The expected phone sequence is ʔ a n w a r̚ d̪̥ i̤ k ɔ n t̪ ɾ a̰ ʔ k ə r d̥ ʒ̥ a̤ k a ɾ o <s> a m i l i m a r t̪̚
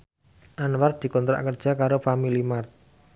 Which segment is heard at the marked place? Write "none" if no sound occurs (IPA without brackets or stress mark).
f